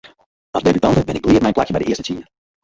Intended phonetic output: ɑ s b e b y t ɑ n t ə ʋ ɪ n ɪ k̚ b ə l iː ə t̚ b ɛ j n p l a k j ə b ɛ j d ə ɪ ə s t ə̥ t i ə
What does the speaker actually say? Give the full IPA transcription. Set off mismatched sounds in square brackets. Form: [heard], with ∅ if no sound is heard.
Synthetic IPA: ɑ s [d] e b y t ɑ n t ə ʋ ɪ n ɪ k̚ b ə l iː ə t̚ [m] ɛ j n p l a k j ə b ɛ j d ə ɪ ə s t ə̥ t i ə